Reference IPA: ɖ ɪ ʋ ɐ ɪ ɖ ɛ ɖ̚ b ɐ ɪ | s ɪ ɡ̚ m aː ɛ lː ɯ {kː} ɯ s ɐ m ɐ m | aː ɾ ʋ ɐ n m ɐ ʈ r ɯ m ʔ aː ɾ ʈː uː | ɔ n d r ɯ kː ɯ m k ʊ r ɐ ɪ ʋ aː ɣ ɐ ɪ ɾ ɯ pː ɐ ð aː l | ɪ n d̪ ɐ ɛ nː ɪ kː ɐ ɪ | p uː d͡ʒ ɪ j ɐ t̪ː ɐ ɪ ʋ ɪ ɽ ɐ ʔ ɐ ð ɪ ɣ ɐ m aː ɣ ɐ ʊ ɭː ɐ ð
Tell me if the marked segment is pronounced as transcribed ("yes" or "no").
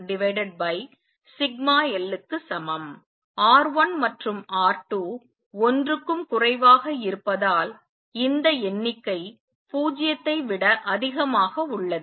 yes